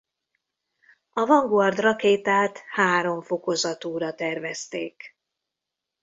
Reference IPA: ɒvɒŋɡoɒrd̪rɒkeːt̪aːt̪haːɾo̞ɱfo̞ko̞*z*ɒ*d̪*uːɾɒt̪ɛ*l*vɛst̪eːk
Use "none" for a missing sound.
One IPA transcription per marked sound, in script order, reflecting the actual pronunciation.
z, t̪, r

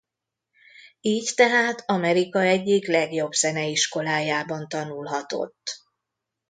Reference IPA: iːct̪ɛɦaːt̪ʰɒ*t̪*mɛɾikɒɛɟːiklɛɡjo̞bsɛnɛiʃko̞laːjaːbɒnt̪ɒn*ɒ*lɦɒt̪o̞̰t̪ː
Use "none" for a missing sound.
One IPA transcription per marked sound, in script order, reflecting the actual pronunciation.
none, u

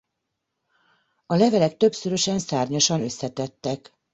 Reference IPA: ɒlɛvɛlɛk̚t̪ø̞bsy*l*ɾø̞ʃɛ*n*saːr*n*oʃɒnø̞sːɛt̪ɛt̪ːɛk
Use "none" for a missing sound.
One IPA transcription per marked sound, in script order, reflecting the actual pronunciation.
none, n, ɲ

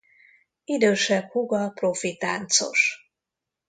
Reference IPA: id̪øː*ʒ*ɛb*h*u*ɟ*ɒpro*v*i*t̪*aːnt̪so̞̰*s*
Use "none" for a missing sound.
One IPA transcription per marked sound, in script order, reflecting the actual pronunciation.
ʃ, h, ɡ, f, t̪, ʃ

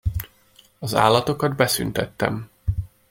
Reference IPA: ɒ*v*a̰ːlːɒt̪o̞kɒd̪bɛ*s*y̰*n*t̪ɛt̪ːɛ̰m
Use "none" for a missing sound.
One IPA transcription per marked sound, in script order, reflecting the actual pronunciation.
z, s, n

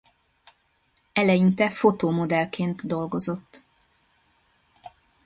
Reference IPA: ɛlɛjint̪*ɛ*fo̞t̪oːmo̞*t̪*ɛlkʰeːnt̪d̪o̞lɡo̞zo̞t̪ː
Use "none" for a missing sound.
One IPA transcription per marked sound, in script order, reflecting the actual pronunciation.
ɛ, d̪

